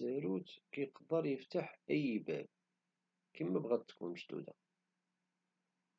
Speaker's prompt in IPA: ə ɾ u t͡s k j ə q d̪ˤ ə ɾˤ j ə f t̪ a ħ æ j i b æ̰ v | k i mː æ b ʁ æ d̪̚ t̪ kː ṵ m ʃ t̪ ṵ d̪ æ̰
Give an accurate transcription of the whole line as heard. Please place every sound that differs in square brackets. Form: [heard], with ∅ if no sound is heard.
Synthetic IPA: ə ɾ u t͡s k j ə q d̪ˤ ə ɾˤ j ə f t̪ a ħ æ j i b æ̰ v | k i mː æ b ʁ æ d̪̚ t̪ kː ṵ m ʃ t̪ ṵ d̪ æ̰